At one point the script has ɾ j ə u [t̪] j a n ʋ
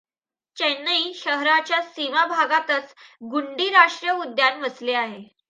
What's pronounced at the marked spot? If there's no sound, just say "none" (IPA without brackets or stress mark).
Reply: d̪